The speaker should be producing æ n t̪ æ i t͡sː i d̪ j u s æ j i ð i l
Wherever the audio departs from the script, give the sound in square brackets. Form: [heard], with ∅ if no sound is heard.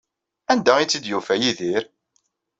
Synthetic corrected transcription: æ n [d̪] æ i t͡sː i d̪ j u [f] æ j i ð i [ɾ]